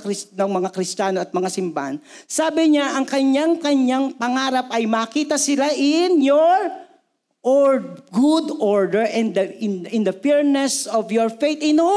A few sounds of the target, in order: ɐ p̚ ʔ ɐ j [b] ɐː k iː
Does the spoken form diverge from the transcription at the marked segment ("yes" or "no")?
yes